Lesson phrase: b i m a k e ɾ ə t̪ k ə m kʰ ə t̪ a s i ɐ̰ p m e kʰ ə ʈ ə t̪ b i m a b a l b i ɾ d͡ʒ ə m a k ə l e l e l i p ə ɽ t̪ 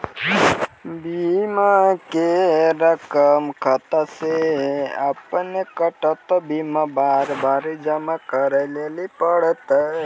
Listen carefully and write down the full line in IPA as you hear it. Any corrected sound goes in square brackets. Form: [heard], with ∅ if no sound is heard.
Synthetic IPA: b i m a k e ɾ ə [∅] k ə m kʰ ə t̪ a s [e] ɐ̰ p [n] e [k] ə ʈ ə t̪ b i m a b a [ɾ] b [a] ɾ d͡ʒ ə m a k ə [ɾ] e l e l i p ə ɽ t̪